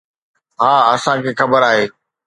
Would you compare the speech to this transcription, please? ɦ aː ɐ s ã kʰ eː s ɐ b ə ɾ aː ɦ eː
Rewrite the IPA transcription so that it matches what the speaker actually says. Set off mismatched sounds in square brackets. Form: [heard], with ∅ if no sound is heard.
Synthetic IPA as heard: ɦ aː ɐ s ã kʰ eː [x] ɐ b ə ɾ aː ɦ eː